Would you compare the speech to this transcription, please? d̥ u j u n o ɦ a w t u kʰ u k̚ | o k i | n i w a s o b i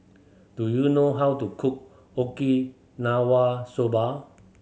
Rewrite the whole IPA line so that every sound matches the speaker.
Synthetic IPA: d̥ u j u n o ɦ a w t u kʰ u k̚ | o k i | n a w a s o b a